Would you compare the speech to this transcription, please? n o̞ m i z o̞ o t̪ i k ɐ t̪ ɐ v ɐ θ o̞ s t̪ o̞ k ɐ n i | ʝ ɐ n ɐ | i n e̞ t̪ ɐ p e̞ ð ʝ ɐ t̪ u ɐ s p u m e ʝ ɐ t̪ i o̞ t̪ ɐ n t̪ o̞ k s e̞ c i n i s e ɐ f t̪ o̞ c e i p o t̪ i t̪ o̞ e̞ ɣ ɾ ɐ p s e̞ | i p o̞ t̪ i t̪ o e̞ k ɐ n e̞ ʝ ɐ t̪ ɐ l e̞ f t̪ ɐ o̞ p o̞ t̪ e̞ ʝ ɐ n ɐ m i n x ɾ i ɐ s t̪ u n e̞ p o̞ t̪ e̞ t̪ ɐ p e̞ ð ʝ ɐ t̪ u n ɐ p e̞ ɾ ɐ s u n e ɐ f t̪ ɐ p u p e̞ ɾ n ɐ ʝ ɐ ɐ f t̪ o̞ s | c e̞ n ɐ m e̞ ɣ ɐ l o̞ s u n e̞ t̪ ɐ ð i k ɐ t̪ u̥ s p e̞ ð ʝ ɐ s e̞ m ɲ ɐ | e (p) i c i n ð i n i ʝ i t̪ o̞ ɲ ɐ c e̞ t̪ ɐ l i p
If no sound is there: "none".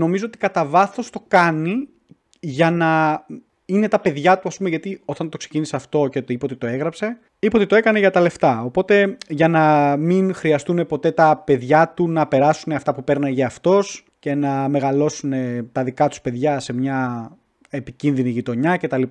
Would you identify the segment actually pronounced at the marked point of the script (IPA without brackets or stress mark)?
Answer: p